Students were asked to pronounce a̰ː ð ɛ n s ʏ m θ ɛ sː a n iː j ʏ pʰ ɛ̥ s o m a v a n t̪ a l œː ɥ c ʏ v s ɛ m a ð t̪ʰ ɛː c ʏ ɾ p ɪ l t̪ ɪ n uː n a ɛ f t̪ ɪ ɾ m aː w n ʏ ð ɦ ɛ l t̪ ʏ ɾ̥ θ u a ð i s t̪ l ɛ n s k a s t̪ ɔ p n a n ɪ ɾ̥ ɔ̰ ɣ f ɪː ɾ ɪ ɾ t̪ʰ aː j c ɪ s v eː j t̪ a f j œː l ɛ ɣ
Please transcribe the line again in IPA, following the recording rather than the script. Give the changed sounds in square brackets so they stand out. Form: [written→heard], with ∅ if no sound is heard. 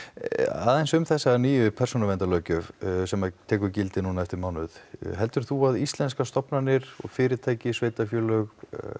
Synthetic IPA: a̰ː ð ɛ n s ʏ m θ ɛ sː a n iː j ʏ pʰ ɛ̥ s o [m→n] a v [a→ɛ] n t̪ a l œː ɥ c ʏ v s ɛ m a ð t̪ʰ ɛː [c→k] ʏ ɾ [p→c] ɪ l t̪ ɪ n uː n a ɛ f t̪ ɪ ɾ m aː w n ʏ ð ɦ ɛ l t̪ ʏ ɾ̥ θ u a ð i s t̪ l ɛ n s k a s t̪ ɔ p n a n ɪ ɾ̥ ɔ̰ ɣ f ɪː ɾ ɪ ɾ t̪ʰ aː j c ɪ s v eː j t̪ a f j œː l [ɛ→œ] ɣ

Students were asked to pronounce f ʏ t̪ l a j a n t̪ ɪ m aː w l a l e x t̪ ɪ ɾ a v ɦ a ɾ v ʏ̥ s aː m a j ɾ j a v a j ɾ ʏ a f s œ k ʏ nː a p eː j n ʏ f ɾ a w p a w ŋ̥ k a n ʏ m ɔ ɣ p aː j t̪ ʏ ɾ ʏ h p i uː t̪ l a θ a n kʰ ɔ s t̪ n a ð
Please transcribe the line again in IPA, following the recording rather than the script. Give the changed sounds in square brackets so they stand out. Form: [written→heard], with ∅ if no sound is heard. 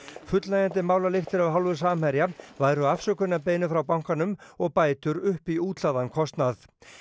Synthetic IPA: f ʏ t̪ l a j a n t̪ ɪ m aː w l a l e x t̪ ɪ ɾ a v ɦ a [ɾ→l] v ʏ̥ s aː m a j ɾ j a v a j ɾ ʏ a f s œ k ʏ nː a p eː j n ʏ f ɾ a w p a w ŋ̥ k a n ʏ m ɔ ɣ p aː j t̪ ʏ ɾ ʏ h p i uː t̪ l a [θ→ð] a n kʰ ɔ s t̪ n a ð

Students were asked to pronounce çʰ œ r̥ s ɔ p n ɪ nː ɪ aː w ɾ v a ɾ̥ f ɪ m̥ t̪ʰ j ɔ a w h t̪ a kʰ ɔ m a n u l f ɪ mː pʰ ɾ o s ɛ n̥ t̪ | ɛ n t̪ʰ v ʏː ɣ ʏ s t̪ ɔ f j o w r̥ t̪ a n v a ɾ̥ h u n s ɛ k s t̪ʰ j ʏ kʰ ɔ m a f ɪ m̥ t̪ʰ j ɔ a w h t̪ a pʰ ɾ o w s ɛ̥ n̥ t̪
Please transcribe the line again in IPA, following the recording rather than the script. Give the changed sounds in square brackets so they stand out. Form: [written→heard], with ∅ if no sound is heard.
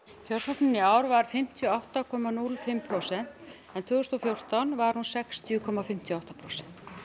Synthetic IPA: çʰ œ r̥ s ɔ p n ɪ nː ɪ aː w ɾ v a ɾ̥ f ɪ m̥ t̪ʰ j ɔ a w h t̪ a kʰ ɔ m a n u l f ɪ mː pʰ ɾ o s ɛ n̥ t̪ | ɛ n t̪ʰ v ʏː ɣ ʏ s t̪ ɔ f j o w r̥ t̪ a n v a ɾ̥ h u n s ɛ k s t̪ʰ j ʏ kʰ ɔ m a f ɪ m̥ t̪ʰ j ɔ a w h t̪ a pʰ ɾ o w s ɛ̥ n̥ t̪

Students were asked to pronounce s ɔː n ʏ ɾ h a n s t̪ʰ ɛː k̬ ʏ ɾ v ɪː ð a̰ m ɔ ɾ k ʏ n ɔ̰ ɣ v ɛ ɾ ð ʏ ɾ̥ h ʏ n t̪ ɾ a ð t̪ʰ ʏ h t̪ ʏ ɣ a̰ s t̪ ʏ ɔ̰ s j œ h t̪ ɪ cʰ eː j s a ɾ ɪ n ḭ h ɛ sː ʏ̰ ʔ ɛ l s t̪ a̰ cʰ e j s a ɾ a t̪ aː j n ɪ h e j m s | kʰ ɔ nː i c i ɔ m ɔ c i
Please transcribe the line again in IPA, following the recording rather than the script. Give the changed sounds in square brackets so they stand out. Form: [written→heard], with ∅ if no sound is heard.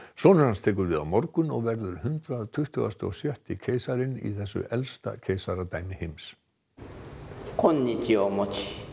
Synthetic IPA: s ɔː n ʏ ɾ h a n s t̪ʰ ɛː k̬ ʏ ɾ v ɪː ð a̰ m ɔ ɾ k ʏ n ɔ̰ ɣ v ɛ ɾ ð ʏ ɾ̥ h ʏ n t̪ ɾ a ð t̪ʰ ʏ h t̪ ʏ ɣ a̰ s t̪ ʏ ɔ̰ s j œ h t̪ ɪ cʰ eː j s a ɾ ɪ n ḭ [h→θ] ɛ sː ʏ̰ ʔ ɛ l s t̪ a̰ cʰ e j s a ɾ a t̪ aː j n ɪ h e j m s | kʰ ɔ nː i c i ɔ m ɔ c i

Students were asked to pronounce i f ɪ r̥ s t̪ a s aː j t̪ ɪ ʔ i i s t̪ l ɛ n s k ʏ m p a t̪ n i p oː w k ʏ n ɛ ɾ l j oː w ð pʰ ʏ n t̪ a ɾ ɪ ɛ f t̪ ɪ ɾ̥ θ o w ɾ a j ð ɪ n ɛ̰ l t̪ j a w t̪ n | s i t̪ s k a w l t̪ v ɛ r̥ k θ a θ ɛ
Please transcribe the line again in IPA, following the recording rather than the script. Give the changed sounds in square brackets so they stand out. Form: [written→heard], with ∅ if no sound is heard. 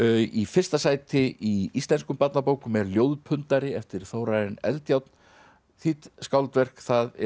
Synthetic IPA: i f ɪ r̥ s t̪ a s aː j t̪ ɪ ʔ i i s t̪ l ɛ n s k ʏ m p a t̪ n [i→a] p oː w k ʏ [n→m] ɛ ɾ l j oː w ð pʰ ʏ n t̪ a ɾ ɪ ɛ f t̪ ɪ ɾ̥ θ o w ɾ a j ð ɪ n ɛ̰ l t̪ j a w t̪ n | [s→θ] i t̪ s k a w l t̪ v ɛ r̥ k θ a [θ→ð] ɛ

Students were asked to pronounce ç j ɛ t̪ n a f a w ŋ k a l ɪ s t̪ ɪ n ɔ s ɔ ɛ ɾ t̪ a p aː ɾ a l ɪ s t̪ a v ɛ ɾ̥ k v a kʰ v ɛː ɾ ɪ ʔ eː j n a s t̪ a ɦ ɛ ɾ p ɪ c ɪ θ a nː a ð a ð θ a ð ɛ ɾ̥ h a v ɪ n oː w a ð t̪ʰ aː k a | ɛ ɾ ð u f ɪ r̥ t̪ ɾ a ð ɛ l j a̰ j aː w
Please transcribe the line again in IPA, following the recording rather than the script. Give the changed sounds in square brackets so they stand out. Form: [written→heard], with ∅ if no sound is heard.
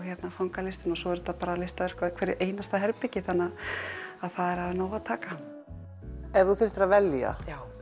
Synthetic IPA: ç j ɛ t̪ n a f a w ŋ k a l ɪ s t̪ ɪ n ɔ s ɔ ɛ ɾ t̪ a p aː ɾ a l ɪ s t̪ a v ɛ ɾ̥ k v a kʰ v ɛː ɾ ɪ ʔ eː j n a s t̪ a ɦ ɛ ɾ p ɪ c ɪ θ a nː a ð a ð θ a ð ɛ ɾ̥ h a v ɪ n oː w a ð t̪ʰ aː k a | ɛ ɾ ð u [f→θ] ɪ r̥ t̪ ɾ a [ð→v] ɛ l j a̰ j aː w

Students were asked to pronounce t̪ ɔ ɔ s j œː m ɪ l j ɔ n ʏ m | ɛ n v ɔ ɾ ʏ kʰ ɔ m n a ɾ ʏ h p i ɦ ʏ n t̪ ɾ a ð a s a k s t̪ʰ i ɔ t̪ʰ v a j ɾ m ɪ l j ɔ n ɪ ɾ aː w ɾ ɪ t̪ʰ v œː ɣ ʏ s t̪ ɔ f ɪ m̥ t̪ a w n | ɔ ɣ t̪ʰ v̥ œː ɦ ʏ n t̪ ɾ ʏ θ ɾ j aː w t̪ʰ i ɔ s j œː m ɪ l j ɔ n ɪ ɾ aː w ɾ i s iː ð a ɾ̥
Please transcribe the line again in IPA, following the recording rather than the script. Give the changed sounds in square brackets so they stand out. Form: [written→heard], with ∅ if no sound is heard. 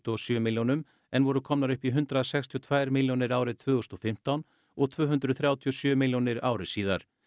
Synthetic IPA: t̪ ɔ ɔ s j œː m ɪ l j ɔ n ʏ m | ɛ n v ɔ ɾ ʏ kʰ ɔ m n a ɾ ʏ h p i ɦ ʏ n t̪ ɾ a ð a s [a→ɛ] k s t̪ʰ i ɔ t̪ʰ v a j ɾ m ɪ l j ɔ n ɪ ɾ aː w ɾ ɪ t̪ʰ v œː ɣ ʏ s t̪ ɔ f ɪ m̥ t̪ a w n | ɔ ɣ t̪ʰ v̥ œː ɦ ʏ n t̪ ɾ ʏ θ ɾ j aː w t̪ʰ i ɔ s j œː m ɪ l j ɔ n ɪ ɾ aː w ɾ [i→ɪ] s iː ð a ɾ̥

